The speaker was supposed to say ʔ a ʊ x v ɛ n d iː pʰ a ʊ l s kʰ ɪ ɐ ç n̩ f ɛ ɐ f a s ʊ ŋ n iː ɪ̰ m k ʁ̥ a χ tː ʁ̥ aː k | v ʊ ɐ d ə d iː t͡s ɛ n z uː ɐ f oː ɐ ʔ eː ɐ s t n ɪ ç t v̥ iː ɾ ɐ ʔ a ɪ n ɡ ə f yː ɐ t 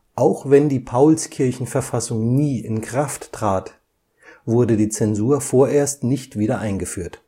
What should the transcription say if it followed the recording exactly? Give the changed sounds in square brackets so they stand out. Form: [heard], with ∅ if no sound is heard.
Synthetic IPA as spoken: ʔ a ʊ x v ɛ n d iː pʰ a ʊ l s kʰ ɪ ɐ ç n̩ f ɛ ɐ f a s ʊ ŋ n iː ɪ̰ [n] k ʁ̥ a [f] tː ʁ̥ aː [t] | v ʊ ɐ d ə d iː t͡s ɛ n z uː ɐ f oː ɐ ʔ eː ɐ s t n ɪ ç t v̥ iː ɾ ɐ ʔ a ɪ n ɡ ə f yː ɐ t

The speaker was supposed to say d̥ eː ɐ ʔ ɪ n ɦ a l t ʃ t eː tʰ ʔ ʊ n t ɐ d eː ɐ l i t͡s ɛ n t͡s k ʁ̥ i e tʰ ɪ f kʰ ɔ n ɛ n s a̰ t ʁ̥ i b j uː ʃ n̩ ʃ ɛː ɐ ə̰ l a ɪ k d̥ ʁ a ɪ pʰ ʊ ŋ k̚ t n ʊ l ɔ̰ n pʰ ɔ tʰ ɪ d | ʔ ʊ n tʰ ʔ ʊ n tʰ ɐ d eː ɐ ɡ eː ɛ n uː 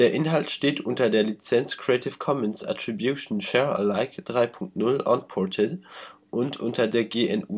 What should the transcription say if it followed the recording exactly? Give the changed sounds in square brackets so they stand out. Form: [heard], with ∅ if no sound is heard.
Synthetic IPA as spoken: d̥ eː ɐ ʔ ɪ n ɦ a l t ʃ t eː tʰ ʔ ʊ n t ɐ d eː ɐ l i t͡s ɛ n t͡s k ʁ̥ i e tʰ ɪ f kʰ ɔ [m] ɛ n s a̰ t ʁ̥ i b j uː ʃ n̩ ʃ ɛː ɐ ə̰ l a ɪ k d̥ ʁ a ɪ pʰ ʊ ŋ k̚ t n ʊ l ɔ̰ n pʰ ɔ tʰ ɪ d | ʔ ʊ n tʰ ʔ ʊ n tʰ ɐ d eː ɐ ɡ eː ɛ n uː

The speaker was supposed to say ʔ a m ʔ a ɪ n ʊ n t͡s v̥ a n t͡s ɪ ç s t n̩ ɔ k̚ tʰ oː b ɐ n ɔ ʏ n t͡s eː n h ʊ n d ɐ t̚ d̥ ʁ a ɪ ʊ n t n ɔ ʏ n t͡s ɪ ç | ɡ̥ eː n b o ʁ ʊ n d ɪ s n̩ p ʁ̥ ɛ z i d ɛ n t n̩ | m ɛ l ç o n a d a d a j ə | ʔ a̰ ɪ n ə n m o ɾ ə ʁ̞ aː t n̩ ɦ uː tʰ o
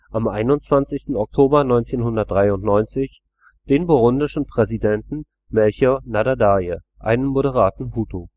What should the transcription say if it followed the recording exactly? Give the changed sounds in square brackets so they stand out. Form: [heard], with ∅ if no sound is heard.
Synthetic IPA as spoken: ʔ a m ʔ a ɪ n ʊ n t͡s v̥ a n t͡s ɪ ç s t n̩ ɔ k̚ tʰ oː b ɐ n ɔ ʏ n t͡s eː n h ʊ n d ɐ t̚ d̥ ʁ a ɪ ʊ n t n ɔ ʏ n t͡s ɪ ç | [d̥] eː n b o ʁ ʊ n d ɪ [ʃ] n̩ p ʁ̥ ɛ z i d ɛ n t n̩ | m ɛ l ç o n a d a d a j ə | ʔ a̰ ɪ n ə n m o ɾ ə ʁ̞ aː t n̩ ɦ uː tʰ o

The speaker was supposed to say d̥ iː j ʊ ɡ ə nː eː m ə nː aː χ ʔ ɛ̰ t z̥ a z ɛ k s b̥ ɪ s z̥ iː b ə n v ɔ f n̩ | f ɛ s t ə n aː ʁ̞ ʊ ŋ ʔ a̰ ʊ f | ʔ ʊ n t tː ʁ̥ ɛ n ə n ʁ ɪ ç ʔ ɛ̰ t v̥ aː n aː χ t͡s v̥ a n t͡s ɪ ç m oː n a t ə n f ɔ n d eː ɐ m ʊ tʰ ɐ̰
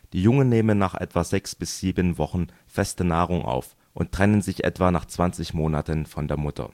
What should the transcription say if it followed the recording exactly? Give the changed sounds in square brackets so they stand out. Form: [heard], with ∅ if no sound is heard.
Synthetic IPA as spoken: d̥ iː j ʊ [ŋ] ə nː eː m ə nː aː χ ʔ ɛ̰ t [v̥] a z ɛ k s b̥ ɪ s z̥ iː b ə n v ɔ [χ] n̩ | f ɛ s t ə n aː ʁ̞ ʊ ŋ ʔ a̰ ʊ f | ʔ ʊ n t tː ʁ̥ ɛ n ə n [z] ɪ ç ʔ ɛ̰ t v̥ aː n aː χ t͡s v̥ a n t͡s ɪ ç m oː n a t ə n f ɔ n d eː ɐ m ʊ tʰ ɐ̰

